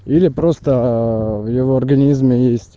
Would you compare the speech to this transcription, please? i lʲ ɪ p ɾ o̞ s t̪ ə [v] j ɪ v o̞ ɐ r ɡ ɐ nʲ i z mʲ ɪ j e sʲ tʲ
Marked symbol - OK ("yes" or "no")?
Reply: yes